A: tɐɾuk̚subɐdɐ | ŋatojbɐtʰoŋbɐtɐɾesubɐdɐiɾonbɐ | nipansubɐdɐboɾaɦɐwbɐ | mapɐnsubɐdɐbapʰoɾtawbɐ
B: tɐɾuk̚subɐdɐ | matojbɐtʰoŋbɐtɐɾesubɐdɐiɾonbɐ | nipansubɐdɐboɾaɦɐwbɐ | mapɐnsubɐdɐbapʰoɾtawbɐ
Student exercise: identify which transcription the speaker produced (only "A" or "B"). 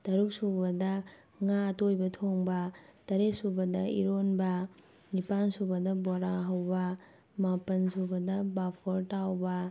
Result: A